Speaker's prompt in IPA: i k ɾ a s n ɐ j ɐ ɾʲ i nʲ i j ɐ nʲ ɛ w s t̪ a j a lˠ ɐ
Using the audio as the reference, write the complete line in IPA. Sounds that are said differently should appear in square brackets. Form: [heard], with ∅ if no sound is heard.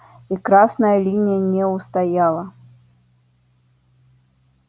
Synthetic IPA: i k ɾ a s n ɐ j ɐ [lʲ] i nʲ i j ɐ nʲ ɛ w s t̪ a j a lˠ ɐ

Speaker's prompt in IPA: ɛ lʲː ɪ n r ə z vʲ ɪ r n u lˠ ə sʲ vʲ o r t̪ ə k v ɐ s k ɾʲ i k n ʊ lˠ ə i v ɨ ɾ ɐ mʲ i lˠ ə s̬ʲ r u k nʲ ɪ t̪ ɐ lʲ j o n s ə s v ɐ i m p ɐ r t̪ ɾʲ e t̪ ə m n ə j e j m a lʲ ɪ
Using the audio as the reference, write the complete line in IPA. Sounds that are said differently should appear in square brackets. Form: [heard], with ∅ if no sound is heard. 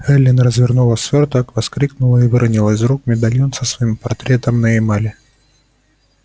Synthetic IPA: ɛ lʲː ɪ n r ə z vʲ ɪ r n u lˠ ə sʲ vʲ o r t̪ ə k v ɐ s k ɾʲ i k n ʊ lˠ ə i v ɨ ɾ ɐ [nʲ] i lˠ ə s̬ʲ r u k [mʲ] ɪ [d̪] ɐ lʲ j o n s ə s v ɐ i m p ɐ r t̪ ɾʲ e t̪ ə m n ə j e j m a lʲ ɪ

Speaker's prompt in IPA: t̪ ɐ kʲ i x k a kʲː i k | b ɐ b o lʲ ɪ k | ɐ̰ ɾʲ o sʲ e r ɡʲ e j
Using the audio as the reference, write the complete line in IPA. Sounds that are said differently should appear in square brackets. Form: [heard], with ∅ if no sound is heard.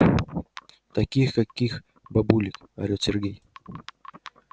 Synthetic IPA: t̪ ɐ kʲ i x k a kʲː i [x] | b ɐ b [u] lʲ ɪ k | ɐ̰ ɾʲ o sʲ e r ɡʲ e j

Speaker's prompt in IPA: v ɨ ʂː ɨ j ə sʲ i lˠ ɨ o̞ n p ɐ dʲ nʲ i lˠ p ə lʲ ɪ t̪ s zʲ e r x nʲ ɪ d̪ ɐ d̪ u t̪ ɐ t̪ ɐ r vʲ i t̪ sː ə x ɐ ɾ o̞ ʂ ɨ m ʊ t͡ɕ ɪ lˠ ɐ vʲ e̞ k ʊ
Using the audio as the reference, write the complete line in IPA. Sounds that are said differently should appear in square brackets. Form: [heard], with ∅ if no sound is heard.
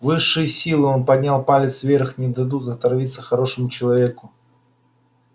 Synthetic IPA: v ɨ ʂː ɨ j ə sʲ i lˠ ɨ o̞ n p ɐ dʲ nʲ [a] lˠ p [a] lʲ ɪ t̪ s [vʲ] e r x nʲ ɪ d̪ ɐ d̪ u t̪ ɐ t̪ ɐ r vʲ i t̪ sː ə x ɐ ɾ o̞ ʂ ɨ m ʊ t͡ɕ ɪ lˠ ɐ vʲ e̞ k ʊ

